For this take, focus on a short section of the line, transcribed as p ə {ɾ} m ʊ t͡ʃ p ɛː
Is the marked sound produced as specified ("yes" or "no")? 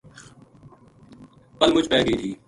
no